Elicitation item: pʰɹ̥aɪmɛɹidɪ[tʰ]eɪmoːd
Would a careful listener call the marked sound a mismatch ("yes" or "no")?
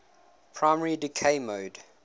yes